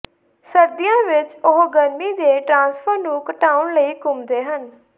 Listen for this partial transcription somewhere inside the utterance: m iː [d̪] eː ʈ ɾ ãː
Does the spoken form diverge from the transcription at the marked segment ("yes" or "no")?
no